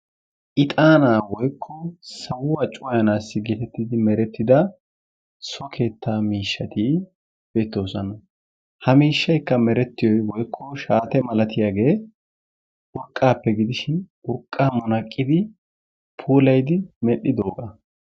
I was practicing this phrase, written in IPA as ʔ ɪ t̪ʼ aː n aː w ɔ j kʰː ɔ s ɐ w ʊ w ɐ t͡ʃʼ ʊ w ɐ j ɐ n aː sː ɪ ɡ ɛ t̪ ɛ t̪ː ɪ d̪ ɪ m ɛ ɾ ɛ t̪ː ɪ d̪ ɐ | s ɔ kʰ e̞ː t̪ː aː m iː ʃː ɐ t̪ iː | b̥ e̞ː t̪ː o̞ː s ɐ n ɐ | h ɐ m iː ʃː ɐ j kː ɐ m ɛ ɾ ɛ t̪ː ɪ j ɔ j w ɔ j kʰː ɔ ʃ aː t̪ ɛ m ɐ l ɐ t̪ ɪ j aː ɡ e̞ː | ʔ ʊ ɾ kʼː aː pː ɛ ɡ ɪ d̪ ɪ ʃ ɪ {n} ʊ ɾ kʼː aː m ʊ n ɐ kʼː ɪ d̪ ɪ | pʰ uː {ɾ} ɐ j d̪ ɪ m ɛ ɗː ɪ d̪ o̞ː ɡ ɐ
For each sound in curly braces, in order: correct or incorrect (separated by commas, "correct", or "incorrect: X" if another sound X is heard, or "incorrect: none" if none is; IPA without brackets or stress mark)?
correct, incorrect: l